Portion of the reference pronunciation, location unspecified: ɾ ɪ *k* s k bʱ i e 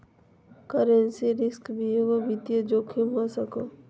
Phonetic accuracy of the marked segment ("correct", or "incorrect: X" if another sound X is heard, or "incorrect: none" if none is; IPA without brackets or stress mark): incorrect: none